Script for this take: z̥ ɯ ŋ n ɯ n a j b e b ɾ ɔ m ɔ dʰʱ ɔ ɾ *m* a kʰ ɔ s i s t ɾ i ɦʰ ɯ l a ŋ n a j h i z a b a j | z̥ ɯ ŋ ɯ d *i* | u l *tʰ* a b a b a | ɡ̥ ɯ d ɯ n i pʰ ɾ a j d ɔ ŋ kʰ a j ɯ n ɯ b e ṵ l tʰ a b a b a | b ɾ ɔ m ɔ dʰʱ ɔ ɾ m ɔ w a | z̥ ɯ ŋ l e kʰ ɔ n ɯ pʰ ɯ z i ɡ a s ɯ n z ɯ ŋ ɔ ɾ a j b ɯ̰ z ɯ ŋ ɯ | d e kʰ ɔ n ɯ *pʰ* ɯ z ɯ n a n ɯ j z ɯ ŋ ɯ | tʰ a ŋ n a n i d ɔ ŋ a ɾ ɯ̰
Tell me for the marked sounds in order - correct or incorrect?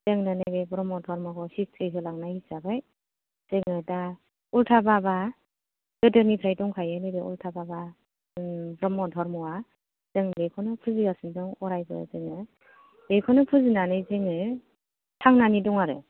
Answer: correct, incorrect: a, correct, correct

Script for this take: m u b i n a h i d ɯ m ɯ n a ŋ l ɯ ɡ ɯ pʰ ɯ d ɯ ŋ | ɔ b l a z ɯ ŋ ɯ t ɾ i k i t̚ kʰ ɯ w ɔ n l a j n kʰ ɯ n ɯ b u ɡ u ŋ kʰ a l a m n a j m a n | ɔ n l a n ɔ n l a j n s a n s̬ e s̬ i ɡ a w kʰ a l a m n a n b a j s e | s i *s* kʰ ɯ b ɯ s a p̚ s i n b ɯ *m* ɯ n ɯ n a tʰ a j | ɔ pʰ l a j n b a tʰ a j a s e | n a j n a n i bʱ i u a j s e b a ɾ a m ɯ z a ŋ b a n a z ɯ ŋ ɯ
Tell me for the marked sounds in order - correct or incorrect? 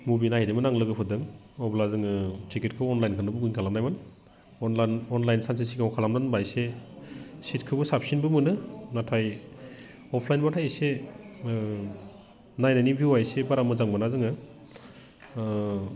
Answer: incorrect: t, correct

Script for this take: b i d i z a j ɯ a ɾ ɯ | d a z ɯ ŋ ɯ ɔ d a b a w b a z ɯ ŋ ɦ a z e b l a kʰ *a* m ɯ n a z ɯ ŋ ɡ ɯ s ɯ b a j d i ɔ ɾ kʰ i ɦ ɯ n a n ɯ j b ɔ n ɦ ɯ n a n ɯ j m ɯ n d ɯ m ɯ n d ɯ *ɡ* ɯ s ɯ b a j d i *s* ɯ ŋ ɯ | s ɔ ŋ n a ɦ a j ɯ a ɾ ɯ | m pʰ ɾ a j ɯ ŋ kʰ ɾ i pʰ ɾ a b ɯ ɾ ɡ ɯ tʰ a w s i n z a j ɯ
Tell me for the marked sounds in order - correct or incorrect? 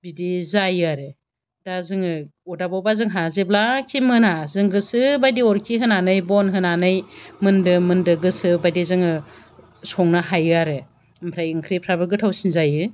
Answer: incorrect: i, correct, incorrect: z

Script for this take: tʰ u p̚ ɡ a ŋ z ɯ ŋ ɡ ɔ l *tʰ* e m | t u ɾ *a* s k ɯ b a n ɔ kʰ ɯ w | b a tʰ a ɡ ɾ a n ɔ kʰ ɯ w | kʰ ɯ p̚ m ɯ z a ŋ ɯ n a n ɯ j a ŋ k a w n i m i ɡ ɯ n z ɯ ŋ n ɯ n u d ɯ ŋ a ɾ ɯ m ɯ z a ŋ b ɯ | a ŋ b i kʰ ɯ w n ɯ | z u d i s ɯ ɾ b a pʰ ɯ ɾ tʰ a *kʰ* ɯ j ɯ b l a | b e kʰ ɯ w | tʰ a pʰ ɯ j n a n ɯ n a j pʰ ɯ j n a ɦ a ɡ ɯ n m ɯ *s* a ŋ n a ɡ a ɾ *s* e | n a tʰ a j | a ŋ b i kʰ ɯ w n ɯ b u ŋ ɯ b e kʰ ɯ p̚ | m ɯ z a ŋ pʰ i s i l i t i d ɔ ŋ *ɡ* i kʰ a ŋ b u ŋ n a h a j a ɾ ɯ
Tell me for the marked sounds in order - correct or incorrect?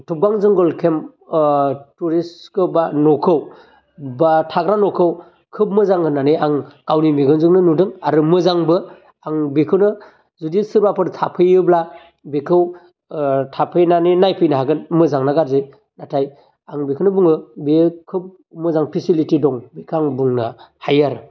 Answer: incorrect: kʰ, incorrect: i, incorrect: pʰ, incorrect: z, incorrect: z, incorrect: b

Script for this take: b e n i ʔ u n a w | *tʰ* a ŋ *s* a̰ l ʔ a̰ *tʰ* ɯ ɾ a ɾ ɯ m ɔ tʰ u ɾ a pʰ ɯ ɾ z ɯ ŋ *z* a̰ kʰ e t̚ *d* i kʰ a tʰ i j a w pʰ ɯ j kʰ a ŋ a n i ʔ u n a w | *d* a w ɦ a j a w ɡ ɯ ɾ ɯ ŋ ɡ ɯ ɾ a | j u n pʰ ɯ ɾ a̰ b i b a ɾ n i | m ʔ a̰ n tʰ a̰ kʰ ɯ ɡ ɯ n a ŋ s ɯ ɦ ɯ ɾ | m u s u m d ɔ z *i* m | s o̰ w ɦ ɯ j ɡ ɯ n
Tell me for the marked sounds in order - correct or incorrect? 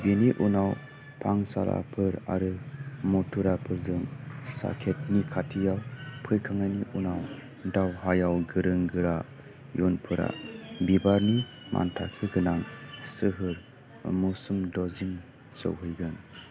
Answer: incorrect: pʰ, correct, incorrect: pʰ, incorrect: s, incorrect: n, correct, correct

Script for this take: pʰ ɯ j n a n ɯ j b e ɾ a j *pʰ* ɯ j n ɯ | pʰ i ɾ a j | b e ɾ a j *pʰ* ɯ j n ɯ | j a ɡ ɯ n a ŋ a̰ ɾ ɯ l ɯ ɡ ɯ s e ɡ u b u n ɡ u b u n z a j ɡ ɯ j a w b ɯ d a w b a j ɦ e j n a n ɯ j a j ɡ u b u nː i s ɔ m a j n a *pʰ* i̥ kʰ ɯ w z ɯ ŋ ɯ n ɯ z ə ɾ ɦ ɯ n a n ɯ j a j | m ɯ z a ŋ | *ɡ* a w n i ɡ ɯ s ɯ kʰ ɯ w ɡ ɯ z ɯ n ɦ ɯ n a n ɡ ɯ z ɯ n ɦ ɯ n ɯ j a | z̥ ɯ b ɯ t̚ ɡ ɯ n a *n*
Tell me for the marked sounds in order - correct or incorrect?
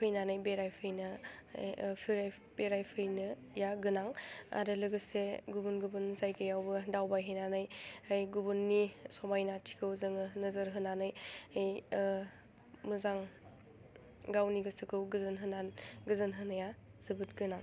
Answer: correct, correct, incorrect: tʰ, correct, incorrect: ŋ

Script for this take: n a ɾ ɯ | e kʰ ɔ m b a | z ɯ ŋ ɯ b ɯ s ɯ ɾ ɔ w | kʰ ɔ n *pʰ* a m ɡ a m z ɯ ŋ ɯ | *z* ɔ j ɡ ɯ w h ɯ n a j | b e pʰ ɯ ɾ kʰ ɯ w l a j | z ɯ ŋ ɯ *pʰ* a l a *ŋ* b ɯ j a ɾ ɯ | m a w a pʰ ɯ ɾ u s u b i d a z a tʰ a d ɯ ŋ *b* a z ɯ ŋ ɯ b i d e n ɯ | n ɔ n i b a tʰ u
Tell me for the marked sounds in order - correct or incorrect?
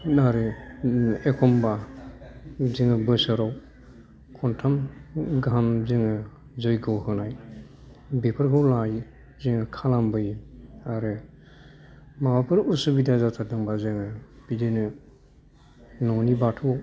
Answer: incorrect: tʰ, correct, incorrect: kʰ, incorrect: m, correct

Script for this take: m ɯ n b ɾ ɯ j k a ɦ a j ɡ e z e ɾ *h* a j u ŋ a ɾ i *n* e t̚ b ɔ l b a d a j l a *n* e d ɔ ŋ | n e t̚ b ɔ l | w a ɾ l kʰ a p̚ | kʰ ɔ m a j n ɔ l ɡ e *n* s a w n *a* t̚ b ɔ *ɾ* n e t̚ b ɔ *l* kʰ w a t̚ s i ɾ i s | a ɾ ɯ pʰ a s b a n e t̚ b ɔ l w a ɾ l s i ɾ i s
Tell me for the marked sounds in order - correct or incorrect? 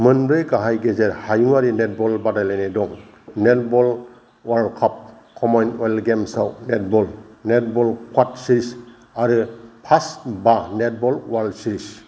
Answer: correct, correct, correct, incorrect: m, incorrect: e, incorrect: l, correct

